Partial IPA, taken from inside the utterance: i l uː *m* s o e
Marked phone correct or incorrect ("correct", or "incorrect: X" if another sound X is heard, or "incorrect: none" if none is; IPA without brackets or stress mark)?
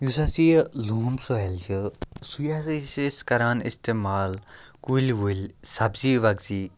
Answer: correct